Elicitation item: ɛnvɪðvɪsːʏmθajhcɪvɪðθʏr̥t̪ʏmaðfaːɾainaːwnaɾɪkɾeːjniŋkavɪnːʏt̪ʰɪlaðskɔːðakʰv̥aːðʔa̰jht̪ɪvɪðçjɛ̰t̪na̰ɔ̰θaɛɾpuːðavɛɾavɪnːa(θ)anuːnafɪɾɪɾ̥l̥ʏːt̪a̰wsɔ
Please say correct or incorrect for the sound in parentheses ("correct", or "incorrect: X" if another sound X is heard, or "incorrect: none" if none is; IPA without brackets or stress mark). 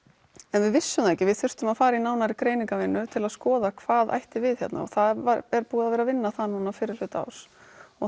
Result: correct